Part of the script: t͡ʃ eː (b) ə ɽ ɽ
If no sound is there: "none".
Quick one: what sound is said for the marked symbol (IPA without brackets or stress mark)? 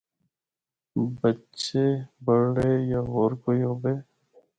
b